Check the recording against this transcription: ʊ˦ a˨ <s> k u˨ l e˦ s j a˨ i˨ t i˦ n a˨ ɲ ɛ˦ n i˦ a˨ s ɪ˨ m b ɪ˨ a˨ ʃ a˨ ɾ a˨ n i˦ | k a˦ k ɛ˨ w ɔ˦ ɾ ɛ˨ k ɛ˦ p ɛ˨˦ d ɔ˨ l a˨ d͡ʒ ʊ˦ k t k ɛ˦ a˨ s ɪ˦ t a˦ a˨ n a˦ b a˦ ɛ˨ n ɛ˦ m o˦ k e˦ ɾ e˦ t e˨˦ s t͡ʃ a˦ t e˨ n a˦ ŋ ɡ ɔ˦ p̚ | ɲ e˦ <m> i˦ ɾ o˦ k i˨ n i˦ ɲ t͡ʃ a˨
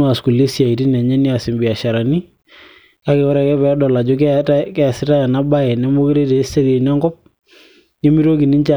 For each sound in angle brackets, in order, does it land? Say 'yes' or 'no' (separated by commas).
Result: yes, yes